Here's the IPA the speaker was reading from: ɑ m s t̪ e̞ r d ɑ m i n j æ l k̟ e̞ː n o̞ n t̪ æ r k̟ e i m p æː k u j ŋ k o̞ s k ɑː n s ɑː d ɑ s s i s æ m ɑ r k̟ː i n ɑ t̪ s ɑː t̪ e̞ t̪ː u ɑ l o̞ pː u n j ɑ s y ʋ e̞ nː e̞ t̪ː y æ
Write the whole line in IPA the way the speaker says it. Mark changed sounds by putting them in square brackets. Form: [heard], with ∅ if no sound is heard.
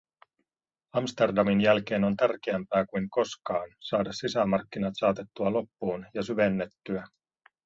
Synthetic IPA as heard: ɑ m s t̪ e̞ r d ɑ m i n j æ l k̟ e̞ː n o̞ n t̪ æ r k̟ e [æ] m p æː k u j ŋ k o̞ s k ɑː n s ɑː d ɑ s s i s æ m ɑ r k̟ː i n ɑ t̪ s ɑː t̪ e̞ t̪ː u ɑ l o̞ pː [uː] n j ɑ s y ʋ e̞ nː e̞ t̪ː y æ